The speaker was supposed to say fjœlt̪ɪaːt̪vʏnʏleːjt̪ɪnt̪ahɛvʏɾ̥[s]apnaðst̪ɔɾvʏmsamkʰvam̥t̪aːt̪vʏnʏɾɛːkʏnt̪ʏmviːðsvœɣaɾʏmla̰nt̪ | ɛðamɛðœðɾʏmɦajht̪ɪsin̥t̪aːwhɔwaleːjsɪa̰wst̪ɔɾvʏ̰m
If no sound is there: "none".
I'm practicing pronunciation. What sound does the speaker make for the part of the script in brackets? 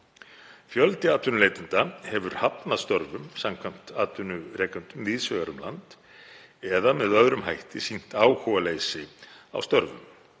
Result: h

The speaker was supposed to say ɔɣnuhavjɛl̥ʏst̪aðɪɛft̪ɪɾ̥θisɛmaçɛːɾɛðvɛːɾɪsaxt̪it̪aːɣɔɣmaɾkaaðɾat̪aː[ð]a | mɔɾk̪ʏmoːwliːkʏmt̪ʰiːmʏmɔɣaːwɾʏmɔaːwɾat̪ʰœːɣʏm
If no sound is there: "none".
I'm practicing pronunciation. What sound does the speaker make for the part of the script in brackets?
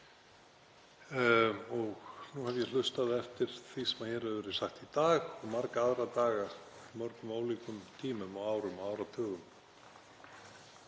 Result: ɣ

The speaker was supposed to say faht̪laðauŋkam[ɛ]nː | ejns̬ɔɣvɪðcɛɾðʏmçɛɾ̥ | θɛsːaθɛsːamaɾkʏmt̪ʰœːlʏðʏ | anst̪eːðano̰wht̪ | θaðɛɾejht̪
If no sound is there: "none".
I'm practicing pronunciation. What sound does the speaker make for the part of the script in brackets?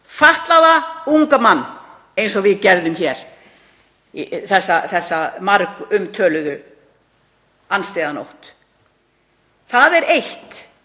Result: a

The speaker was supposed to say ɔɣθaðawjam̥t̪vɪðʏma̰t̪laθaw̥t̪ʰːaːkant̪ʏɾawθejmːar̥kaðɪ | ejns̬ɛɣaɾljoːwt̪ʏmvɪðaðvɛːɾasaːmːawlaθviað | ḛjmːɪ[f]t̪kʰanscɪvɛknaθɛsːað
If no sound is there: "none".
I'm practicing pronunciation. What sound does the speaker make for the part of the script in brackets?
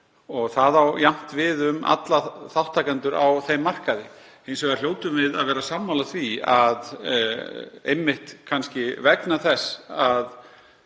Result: h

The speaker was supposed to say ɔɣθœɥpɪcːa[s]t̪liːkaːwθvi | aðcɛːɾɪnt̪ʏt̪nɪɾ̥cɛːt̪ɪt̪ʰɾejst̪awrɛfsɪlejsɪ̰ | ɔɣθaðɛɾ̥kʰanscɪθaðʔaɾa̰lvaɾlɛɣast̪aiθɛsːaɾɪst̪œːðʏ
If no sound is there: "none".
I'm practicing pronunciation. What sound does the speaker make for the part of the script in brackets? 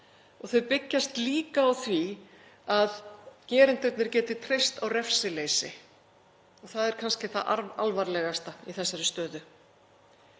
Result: s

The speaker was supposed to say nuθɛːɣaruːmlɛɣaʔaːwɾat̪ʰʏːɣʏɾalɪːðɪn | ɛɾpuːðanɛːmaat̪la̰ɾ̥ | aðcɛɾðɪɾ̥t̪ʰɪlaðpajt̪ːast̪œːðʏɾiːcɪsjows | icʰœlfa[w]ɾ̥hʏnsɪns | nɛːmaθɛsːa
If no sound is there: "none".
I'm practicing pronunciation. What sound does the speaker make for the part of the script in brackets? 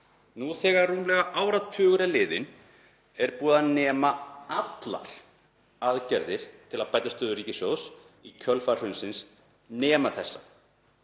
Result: none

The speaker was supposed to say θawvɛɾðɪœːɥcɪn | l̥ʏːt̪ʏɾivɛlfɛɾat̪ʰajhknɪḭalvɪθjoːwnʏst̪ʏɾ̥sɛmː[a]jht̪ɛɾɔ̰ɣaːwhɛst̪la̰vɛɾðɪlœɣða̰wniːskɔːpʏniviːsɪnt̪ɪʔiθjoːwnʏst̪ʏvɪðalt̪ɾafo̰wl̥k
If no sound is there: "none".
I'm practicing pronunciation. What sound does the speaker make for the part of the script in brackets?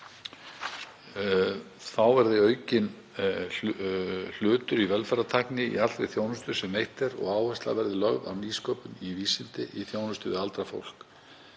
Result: e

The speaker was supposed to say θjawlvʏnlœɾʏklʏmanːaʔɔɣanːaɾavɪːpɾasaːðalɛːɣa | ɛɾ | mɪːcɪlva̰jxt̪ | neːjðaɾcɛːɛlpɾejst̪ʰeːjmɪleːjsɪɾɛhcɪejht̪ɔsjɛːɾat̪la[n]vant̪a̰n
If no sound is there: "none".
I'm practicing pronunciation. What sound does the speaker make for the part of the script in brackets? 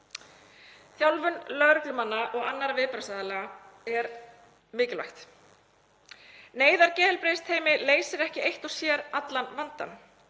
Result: n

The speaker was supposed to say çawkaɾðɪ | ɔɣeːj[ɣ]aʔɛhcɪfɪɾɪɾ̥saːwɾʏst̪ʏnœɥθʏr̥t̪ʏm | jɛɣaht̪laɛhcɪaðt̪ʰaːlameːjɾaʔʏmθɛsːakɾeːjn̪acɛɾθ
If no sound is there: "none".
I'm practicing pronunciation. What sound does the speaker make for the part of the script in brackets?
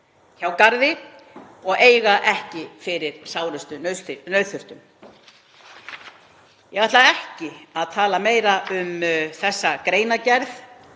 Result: ɣ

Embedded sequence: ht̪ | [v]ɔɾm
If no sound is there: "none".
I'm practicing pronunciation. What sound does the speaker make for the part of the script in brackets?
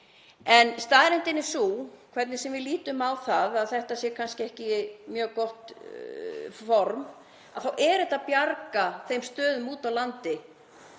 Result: f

